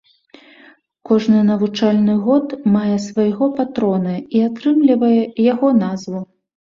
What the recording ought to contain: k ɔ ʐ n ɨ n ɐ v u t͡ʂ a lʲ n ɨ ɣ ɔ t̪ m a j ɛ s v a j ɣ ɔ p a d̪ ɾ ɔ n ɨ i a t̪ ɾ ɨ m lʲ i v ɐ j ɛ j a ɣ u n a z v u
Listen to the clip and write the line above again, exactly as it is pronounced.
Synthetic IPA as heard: k ɔ ʐ n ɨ n ɐ v u t͡ʂ a lʲ n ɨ ɣ ɔ t̪ m a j ɛ s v a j ɣ ɔ p a t̪ ɾ ɔ n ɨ i a t̪ ɾ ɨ m lʲ i v ɐ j ɛ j a ɣ ɔ n a z v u